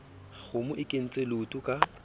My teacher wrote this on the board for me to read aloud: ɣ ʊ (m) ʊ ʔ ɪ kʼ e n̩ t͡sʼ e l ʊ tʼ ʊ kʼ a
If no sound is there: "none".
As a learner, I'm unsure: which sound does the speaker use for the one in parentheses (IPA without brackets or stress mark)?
m